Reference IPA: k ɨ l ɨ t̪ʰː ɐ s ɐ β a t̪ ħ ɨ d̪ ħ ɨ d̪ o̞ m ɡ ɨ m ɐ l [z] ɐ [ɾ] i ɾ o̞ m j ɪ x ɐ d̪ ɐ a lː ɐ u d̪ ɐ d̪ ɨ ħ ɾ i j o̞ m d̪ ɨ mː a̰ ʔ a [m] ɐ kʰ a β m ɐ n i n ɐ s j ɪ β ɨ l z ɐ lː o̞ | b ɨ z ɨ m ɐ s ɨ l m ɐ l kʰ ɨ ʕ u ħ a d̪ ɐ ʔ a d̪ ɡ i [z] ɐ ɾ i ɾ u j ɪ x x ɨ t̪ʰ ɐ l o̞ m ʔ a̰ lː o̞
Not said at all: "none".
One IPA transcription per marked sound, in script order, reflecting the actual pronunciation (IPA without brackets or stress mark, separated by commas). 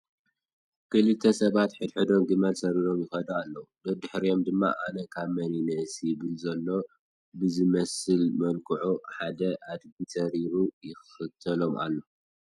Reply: s, ɾ, n, s